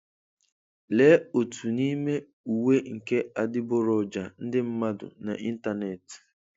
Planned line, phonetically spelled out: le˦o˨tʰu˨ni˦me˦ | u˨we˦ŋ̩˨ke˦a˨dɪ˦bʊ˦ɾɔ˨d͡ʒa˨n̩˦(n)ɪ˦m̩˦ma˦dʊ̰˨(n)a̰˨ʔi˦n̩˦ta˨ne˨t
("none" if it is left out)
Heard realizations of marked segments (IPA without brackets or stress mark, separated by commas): d, n